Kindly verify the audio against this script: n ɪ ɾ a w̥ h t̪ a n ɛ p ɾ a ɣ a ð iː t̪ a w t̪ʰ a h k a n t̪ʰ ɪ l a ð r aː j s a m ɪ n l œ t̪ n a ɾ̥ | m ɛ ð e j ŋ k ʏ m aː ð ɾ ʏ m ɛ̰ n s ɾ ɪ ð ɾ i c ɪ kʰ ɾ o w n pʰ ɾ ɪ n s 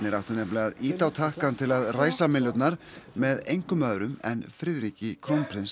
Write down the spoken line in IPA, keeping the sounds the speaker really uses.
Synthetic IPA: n ɪ ɾ a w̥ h t̪ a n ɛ p l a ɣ a ð iː t̪ a w t̪ʰ a h k a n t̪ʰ ɪ l a ð r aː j s a m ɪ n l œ t̪ n a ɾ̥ | m ɛ ð e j ŋ k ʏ m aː ð ɾ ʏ m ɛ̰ n f ɾ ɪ ð ɾ i c ɪ kʰ ɾ o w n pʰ ɾ ɪ n s